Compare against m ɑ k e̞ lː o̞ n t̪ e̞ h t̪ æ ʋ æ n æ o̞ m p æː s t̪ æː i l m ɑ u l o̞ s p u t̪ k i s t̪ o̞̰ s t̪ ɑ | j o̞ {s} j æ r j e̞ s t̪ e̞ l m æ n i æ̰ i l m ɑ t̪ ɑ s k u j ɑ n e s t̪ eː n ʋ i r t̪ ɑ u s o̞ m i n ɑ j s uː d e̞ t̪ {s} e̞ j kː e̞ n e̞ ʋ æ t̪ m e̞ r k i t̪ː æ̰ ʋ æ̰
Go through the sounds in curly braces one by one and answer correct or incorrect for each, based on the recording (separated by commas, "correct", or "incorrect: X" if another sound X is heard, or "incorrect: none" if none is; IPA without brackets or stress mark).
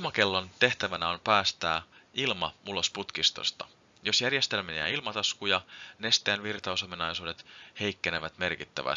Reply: correct, incorrect: h